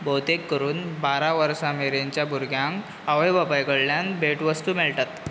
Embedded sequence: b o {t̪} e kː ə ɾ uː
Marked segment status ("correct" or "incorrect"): correct